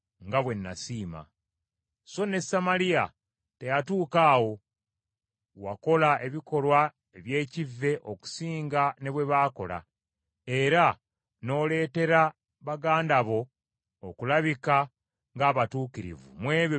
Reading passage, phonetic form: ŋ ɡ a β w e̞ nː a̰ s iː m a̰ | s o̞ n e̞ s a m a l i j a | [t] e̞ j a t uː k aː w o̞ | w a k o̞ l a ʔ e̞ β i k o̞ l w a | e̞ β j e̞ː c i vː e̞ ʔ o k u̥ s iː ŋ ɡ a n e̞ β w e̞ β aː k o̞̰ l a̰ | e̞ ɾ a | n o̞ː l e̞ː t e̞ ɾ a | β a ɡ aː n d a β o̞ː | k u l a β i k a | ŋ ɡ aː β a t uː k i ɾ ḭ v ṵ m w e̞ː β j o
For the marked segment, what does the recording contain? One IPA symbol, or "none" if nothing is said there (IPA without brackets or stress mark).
t